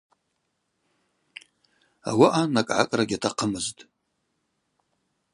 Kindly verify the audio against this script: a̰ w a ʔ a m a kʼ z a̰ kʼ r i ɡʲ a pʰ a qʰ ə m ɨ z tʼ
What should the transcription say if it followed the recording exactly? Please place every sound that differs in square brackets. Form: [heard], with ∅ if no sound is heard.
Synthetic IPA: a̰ w a ʔ a [n] a kʼ [ʕ] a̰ kʼ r [a] ɡʲ a [tʰ] a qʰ ə m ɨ z tʼ